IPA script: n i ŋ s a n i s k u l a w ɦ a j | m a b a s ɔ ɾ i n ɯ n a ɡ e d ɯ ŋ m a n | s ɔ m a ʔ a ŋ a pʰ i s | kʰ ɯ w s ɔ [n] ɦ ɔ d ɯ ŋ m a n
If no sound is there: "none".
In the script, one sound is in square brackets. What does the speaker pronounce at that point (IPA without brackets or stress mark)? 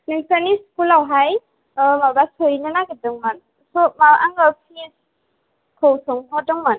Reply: ŋ